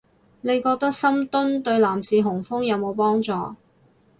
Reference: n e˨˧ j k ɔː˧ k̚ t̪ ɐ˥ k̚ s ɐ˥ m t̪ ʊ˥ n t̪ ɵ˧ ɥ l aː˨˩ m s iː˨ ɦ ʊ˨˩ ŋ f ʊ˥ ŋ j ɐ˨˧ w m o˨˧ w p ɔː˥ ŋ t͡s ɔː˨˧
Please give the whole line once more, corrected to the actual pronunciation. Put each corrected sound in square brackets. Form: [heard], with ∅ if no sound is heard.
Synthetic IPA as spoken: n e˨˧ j k ɔː˧ k̚ t̪ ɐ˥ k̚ s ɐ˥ m t̪ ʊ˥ n t̪ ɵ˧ ɥ l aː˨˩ m s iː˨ ɦ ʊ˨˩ ŋ f ʊ˥ ŋ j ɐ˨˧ w m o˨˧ w p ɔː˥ ŋ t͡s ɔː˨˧